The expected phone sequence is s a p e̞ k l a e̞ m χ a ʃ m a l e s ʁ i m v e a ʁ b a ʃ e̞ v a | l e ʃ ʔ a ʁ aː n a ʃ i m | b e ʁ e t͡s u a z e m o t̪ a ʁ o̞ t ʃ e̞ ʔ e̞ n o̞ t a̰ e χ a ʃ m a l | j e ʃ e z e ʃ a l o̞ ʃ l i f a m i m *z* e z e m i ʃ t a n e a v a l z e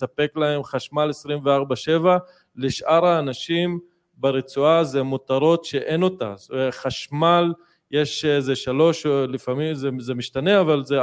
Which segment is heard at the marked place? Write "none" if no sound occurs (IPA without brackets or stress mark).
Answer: z